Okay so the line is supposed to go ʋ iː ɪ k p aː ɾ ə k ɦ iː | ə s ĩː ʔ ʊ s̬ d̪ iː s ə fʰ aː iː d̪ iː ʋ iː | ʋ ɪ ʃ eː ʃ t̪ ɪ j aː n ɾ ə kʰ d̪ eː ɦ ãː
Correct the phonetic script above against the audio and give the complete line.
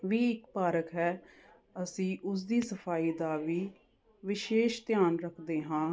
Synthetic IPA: ʋ iː ɪ k p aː ɾ ə k ɦ ɛː | ə s ĩː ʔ ʊ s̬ d̪ iː s ə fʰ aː iː d̪ aː ʋ iː | ʋ ɪ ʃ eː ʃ t̪ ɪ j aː n ɾ ə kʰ d̪ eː ɦ ãː